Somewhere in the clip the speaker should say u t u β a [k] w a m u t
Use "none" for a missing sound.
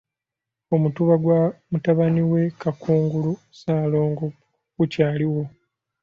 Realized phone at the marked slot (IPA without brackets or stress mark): ɡ